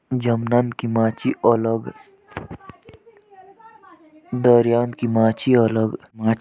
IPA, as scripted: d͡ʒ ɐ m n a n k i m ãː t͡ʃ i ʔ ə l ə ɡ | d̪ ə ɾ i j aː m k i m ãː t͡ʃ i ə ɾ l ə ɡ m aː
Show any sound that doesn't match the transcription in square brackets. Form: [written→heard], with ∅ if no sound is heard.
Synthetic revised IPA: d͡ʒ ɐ m n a n k i m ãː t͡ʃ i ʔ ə l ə ɡ | d̪ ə ɾ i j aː [m→n] k i m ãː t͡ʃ i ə [ɾ→∅] l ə ɡ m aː